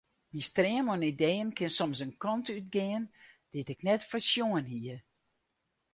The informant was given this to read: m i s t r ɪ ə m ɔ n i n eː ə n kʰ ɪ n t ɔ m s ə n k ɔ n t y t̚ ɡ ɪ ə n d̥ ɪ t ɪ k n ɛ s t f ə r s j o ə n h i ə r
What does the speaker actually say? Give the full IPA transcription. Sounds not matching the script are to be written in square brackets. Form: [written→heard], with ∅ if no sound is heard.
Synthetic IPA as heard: m i s t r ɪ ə m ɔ n i [n→d] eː ə n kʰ ɪ n [t→s] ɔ m s ə n k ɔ n t y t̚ ɡ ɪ ə n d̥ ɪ t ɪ k n ɛ [s→∅] t f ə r s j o ə n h i ə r